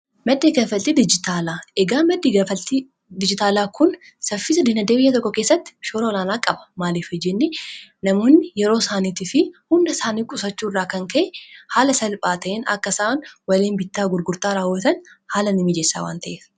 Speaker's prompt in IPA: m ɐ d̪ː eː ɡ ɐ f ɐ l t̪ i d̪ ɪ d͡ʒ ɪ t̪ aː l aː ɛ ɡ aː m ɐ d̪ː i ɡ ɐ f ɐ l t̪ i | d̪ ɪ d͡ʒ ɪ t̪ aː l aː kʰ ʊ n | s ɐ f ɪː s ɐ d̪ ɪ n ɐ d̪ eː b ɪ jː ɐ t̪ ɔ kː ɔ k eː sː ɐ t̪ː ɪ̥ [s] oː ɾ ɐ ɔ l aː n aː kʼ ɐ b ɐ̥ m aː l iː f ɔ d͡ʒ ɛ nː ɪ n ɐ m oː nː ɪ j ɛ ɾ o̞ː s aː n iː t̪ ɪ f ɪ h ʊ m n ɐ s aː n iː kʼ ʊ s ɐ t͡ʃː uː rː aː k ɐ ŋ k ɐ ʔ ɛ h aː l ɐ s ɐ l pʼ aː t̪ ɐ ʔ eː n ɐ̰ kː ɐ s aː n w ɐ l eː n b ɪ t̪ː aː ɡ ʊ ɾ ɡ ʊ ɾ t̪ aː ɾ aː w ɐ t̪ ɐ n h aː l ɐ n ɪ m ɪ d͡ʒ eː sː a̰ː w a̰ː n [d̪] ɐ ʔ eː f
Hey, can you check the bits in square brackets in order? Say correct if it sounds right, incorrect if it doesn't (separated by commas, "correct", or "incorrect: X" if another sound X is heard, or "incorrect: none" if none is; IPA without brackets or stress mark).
incorrect: ʃ, incorrect: t̪